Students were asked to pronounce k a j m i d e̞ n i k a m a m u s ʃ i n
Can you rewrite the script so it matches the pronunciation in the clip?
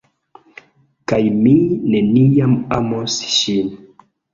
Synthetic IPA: k a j m i n e̞ n i a m a m o s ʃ i n